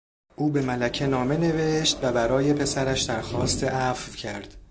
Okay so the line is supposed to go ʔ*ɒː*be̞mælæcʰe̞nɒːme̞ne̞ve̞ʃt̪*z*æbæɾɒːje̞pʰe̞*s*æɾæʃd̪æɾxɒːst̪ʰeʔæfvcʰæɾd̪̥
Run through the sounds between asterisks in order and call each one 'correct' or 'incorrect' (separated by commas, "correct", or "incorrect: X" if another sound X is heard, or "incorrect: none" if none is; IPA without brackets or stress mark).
incorrect: uː, incorrect: v, correct